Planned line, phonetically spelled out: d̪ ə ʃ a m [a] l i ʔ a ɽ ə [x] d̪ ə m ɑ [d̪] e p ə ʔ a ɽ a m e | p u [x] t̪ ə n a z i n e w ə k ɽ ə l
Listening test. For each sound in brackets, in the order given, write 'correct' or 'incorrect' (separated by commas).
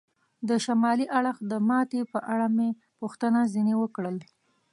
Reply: incorrect, correct, incorrect, correct